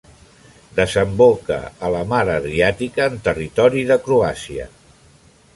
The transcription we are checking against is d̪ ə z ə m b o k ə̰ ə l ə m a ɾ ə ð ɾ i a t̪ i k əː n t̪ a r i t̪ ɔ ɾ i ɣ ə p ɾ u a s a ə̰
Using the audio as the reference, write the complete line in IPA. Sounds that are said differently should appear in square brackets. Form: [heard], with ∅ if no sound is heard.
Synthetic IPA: d̪ ə z ə m b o k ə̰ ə l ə m a ɾ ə ð ɾ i a t̪ i k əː n t̪ [ə] r i t̪ ɔ ɾ i [ð] ə [k] ɾ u a s [i] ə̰